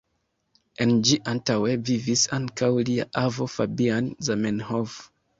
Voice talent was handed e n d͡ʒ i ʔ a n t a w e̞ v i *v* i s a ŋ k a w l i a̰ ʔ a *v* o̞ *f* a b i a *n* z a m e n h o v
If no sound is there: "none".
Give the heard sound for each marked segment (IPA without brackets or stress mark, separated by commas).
v, v, f, n